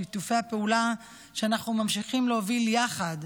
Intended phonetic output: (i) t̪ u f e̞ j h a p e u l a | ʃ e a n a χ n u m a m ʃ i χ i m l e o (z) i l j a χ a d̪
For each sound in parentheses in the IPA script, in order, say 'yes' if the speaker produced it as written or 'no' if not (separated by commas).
yes, no